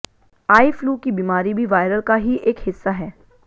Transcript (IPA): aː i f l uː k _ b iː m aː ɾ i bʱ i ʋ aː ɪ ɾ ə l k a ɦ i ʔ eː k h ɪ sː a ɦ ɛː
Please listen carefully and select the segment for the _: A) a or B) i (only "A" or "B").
B